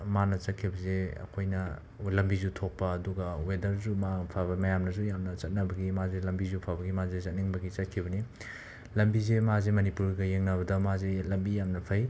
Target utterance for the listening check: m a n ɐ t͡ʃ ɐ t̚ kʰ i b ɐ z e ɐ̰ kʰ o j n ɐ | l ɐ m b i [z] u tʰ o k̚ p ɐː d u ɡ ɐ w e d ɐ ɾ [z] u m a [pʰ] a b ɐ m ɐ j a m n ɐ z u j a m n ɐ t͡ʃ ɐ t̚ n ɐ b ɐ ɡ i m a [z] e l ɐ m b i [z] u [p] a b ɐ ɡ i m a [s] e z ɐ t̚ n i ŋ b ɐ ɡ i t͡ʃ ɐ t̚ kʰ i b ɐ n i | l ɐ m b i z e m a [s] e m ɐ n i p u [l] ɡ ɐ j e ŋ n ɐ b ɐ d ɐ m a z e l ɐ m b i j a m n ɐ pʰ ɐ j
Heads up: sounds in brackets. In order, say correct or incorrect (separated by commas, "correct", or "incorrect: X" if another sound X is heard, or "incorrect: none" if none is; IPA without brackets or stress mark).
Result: correct, correct, correct, correct, correct, incorrect: pʰ, incorrect: z, incorrect: z, incorrect: ɾ